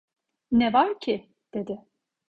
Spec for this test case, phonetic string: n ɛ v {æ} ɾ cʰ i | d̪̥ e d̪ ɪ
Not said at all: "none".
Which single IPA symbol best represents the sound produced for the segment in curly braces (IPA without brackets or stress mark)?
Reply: a